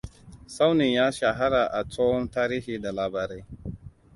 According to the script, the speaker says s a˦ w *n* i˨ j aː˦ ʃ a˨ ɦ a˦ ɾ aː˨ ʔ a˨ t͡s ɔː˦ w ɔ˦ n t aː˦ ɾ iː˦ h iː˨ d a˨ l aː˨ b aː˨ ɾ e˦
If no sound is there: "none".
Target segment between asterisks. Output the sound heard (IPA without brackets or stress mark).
n